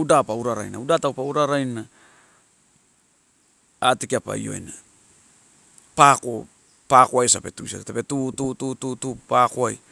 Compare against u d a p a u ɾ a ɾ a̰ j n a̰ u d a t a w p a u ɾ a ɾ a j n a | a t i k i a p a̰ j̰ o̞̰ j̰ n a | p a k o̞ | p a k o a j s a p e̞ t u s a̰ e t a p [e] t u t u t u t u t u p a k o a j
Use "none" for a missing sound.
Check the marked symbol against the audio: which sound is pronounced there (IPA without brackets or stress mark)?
e